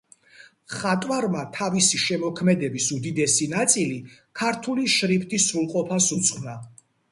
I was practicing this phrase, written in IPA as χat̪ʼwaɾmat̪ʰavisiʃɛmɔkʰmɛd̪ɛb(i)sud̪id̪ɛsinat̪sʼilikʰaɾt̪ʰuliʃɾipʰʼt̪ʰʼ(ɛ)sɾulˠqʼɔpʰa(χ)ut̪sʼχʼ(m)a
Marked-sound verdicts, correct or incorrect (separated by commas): correct, incorrect, incorrect, incorrect